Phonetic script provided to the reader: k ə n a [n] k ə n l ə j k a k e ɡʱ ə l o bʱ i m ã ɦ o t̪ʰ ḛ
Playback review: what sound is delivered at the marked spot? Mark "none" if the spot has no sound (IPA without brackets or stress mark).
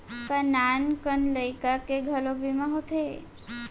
n